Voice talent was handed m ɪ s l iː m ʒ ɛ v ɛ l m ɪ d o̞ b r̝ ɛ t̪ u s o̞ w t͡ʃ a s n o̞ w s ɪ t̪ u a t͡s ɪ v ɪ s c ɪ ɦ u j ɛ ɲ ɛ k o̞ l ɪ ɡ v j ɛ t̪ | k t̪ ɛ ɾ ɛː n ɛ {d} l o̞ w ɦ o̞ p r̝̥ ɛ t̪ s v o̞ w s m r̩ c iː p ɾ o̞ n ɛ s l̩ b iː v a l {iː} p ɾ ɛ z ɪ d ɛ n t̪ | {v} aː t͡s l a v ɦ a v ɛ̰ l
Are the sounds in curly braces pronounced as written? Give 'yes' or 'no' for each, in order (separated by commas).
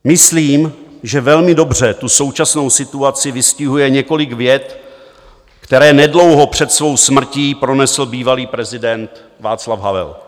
yes, yes, yes